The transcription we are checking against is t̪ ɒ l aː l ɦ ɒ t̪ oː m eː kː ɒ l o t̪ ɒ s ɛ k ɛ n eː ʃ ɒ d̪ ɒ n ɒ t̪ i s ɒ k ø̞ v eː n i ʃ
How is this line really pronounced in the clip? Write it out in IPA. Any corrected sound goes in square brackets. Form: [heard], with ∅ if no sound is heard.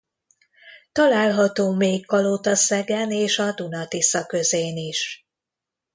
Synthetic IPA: t̪ ɒ l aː l ɦ ɒ t̪ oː m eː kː ɒ l o t̪ ɒ s ɛ [ɡ] ɛ n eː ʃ ɒ d̪ [u] n ɒ t̪ i s ɒ k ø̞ [z] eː n i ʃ